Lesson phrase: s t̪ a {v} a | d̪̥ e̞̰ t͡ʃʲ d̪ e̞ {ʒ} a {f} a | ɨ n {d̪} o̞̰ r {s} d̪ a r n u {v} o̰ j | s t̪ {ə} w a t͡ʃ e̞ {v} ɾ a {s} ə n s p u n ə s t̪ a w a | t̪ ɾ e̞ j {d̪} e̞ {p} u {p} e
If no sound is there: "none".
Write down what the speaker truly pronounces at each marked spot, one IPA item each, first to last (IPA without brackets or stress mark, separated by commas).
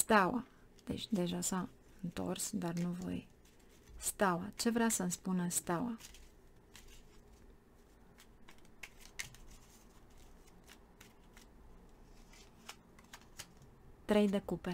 w, ʒ, s, t̪, s, v, a, v, s, d̪, k, p